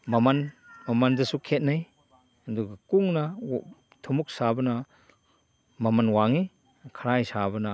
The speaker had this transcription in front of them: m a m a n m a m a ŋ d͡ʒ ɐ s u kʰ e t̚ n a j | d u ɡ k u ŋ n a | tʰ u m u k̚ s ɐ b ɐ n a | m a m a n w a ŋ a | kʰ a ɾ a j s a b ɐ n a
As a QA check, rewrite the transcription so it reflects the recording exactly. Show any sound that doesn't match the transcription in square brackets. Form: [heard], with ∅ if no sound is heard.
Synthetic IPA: m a m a n m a m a [n] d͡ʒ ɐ s u kʰ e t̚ n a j | d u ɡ k u ŋ n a | tʰ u m u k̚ s [a] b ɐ n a | m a m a n w a ŋ [i] | kʰ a ɾ a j s a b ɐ n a